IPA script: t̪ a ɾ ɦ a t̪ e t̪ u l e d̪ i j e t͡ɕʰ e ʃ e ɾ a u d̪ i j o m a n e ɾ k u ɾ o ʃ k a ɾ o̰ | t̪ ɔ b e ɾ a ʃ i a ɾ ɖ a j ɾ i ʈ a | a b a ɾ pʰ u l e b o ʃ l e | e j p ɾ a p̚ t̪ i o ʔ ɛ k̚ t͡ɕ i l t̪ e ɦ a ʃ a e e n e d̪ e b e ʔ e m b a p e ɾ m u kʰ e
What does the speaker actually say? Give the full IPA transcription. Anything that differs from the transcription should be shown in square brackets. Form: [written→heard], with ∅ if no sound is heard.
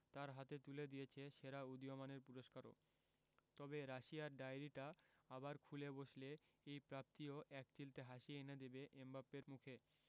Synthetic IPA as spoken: t̪ a ɾ ɦ a t̪ e t̪ u l e d̪ i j e t͡ɕʰ e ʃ e ɾ a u d̪ i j o m a n e ɾ [k→p] u ɾ o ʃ k a ɾ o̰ | t̪ ɔ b e ɾ a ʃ i a ɾ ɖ a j ɾ i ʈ a | a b a ɾ [pʰ→kʰ] u l e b o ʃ l e | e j p ɾ a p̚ t̪ i o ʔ ɛ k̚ t͡ɕ i l t̪ e ɦ a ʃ [a→i] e e n e d̪ e b e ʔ e m b a p e ɾ m u kʰ e